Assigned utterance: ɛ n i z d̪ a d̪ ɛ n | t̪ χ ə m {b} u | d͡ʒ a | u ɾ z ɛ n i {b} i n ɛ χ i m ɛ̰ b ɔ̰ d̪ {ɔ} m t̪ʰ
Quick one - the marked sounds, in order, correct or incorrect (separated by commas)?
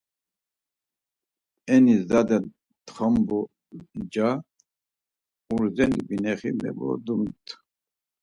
correct, correct, incorrect